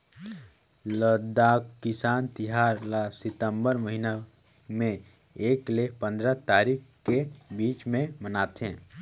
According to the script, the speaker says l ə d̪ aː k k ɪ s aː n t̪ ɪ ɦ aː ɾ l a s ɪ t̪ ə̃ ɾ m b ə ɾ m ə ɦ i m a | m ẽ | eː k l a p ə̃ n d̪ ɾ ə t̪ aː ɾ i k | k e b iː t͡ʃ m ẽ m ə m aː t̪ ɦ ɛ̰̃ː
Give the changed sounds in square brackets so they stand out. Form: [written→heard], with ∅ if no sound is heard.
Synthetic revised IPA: l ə d̪ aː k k ɪ s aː n t̪ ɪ ɦ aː ɾ l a s ɪ t̪ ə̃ [ɾ→∅] m b ə ɾ m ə ɦ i [m→n] a | m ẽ | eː k l [a→e] p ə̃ n d̪ ɾ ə t̪ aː ɾ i k | k e b iː t͡ʃ m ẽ m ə [m→n] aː t̪ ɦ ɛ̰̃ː

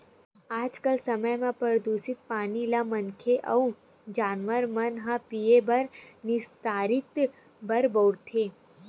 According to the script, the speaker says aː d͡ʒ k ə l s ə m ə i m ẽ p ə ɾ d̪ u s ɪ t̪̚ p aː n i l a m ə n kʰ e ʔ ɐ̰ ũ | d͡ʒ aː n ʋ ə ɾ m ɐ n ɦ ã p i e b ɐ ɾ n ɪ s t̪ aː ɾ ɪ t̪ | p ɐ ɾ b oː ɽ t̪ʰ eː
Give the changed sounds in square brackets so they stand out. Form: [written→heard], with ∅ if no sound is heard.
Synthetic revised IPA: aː d͡ʒ k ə l s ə m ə [i→j] m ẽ p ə ɾ d̪ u s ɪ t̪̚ p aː n i l a m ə n kʰ e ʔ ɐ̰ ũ | d͡ʒ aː n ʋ ə ɾ m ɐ n ɦ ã p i e b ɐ ɾ n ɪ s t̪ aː ɾ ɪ t̪ | [p→b] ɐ ɾ b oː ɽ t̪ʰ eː

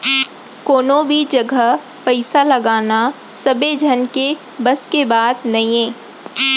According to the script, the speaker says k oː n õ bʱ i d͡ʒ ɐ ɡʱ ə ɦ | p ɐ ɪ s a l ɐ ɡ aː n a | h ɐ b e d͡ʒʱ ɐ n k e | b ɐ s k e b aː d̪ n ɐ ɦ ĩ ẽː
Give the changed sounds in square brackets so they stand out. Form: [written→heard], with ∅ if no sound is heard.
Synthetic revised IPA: k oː n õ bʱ i d͡ʒ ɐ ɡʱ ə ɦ | p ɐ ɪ s a l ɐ ɡ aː n a | [h→s] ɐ b e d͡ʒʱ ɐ n k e | b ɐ s k e b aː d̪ n ɐ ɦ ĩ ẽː

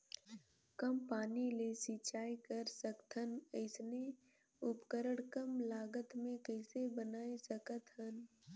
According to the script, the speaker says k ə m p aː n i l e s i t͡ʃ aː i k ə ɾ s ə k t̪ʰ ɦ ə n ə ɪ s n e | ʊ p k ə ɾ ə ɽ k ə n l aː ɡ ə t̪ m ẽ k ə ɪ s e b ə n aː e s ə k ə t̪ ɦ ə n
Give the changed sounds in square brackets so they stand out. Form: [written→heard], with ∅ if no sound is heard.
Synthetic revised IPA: k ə m p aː n i l e s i t͡ʃ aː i k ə ɾ s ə k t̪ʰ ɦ ə n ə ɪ s n e | ʊ p k ə ɾ ə ɽ k ə [n→m] l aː ɡ ə t̪ m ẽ k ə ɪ s e b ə n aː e s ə k ə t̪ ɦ ə n

